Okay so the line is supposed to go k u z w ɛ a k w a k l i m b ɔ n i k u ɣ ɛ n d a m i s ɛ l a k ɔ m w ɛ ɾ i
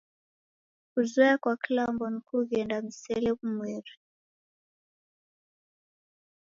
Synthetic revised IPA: k u z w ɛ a k w a k l a m b ɔ n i k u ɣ ɛ n d a m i s ɛ l ɛ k u m w ɛ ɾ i